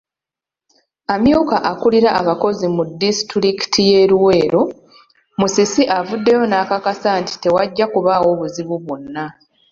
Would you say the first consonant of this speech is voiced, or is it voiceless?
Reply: voiced